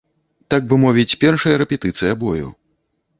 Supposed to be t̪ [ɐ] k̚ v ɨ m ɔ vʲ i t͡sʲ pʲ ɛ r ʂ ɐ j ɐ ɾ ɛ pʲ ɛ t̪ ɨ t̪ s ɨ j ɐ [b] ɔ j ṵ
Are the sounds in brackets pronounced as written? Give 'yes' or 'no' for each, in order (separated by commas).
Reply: no, yes